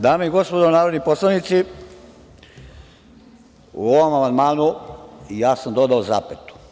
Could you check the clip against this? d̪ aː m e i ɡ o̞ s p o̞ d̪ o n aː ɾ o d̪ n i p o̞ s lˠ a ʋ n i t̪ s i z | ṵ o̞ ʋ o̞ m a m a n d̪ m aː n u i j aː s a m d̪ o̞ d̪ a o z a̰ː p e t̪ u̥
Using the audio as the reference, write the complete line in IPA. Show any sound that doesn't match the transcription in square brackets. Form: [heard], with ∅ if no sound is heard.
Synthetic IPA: d̪ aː m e i ɡ o̞ s p o̞ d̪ o n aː ɾ o d̪ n i p o̞ s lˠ a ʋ n i t̪ s i [∅] | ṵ o̞ ʋ o̞ m a m a n d̪ m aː n u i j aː s a m d̪ o̞ d̪ a o z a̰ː p e t̪ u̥